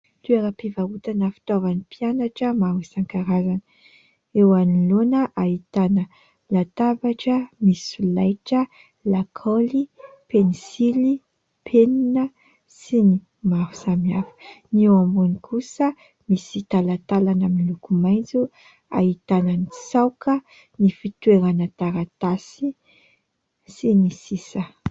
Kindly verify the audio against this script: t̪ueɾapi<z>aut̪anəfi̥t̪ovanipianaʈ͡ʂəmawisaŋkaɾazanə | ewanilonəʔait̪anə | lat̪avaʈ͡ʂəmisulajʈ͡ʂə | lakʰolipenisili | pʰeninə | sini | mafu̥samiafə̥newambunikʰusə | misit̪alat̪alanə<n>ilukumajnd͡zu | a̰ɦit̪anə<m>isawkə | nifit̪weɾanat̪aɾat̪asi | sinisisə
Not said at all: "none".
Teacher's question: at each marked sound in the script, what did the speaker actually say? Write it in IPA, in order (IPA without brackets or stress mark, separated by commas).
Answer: v, m, n